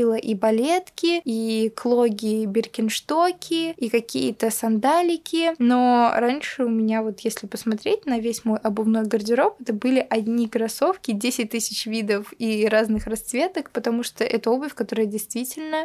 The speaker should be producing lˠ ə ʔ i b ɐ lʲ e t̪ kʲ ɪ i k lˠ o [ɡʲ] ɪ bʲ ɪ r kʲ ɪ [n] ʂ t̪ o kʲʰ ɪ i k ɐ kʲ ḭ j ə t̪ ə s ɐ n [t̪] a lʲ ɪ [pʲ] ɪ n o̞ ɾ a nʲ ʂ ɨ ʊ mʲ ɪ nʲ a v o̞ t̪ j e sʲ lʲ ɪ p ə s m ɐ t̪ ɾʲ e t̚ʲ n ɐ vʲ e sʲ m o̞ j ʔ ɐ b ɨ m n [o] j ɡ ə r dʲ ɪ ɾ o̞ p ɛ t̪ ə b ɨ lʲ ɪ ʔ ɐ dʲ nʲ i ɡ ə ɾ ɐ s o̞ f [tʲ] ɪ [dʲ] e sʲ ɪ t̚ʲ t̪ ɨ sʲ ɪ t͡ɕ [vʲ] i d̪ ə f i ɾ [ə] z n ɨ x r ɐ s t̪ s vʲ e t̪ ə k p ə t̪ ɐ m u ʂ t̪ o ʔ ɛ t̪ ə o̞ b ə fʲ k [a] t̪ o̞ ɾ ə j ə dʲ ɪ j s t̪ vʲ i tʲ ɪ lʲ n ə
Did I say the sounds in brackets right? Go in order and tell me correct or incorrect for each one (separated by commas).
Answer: correct, correct, incorrect, incorrect, correct, incorrect, correct, correct, incorrect, incorrect